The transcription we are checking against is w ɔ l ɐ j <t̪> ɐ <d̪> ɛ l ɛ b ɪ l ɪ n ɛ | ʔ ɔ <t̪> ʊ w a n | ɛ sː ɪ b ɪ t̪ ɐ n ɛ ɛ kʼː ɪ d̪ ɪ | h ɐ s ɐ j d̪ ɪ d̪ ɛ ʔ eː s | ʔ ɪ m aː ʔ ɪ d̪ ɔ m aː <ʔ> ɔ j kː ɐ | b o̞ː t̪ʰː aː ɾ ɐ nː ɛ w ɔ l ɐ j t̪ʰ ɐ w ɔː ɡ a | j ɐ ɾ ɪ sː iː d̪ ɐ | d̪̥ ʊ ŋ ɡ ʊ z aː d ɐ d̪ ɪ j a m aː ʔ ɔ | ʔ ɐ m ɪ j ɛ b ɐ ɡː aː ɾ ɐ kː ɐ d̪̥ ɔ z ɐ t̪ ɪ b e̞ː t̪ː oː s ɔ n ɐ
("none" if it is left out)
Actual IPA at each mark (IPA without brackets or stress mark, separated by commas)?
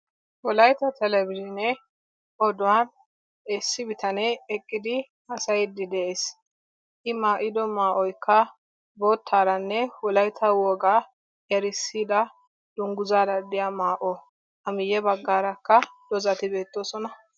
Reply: t̪, t̪, d̪, ʔ